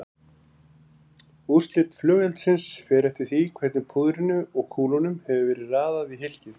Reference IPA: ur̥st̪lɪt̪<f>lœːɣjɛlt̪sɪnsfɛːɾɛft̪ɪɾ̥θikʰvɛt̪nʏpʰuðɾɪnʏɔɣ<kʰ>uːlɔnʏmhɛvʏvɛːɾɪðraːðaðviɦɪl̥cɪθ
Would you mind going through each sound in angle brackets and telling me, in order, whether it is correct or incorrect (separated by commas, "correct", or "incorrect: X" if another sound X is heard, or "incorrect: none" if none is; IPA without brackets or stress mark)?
correct, correct